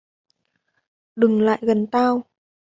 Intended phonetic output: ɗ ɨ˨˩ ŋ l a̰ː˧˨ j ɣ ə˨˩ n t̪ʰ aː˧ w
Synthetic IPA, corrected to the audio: ɗ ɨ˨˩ ŋ l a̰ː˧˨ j ɣ ə˨˩ n t̪ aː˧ w